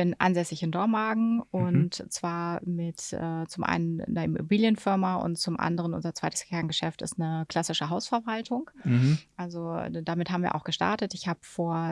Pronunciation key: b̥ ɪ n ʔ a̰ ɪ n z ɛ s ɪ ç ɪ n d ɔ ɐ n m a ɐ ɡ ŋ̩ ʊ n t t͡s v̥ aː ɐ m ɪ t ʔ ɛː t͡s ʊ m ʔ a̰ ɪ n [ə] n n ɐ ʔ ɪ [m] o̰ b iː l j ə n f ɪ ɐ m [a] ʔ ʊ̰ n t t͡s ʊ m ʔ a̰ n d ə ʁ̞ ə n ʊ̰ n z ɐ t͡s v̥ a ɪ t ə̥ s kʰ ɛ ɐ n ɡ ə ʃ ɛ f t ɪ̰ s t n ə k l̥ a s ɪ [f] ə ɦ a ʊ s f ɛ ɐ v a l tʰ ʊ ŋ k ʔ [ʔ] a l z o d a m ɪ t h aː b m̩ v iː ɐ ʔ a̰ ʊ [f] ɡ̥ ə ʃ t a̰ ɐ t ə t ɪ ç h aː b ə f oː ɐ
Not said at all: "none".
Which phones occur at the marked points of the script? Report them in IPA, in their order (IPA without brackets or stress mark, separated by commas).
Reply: ə, m, a, ʃ, ʔ, x